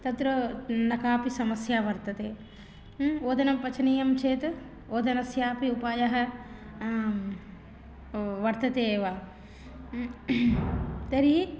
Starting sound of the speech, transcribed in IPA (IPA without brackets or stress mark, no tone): t̪